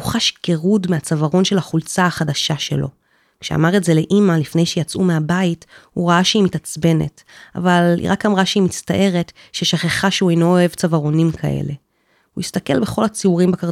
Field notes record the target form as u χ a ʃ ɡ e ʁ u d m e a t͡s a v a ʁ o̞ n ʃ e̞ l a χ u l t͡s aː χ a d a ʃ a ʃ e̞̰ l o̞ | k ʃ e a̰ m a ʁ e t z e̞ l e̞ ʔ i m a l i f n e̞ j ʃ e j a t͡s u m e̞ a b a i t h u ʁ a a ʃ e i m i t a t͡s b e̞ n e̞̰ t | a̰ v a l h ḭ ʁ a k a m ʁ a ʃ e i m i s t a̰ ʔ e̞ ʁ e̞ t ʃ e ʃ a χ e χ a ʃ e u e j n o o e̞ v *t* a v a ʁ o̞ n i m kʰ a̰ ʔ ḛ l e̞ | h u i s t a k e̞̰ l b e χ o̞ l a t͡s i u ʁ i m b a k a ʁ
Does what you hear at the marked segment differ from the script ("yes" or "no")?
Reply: yes